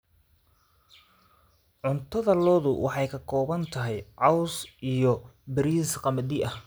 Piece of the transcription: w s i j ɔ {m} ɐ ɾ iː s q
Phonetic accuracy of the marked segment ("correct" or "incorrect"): incorrect